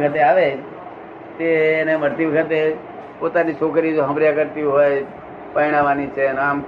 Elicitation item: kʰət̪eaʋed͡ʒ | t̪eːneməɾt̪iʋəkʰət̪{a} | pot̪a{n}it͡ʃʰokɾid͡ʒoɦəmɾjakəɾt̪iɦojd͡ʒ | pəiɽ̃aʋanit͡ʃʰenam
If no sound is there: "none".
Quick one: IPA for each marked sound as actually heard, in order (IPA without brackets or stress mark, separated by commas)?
e, n